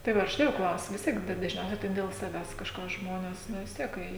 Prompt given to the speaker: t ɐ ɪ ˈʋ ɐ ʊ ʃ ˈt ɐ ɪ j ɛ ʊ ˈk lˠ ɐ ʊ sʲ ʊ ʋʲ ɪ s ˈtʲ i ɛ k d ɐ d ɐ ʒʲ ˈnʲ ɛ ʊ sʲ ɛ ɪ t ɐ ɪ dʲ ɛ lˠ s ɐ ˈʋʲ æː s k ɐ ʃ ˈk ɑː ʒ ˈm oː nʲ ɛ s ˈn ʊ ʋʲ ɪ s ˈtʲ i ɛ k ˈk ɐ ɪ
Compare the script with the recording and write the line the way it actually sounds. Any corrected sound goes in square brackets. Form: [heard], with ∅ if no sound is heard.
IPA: t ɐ ɪ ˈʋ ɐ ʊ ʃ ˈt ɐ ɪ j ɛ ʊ ˈk lˠ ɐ ʊ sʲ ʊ ʋʲ ɪ s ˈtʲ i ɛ k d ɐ d ɐ ʒʲ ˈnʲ ɛ ʊ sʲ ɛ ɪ t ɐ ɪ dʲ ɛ lˠ s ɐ ˈʋʲ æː s k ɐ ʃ ˈk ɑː ʒ ˈm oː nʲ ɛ s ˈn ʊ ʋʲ ɪ s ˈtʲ i ɛ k ˈk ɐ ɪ